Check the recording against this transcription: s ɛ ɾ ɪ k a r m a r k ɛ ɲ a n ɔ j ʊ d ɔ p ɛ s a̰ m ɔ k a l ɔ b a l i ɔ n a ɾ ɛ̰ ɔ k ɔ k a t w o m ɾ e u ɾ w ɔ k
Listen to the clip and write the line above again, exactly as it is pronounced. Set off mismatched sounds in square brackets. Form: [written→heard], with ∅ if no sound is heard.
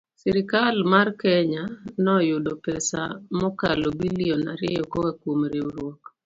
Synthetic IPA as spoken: s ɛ ɾ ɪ k a [r→l] m a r k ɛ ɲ a n ɔ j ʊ d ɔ p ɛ s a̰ m ɔ k a l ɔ b [a→i] l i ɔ n a ɾ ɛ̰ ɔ k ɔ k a [t→k] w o m ɾ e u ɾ w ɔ k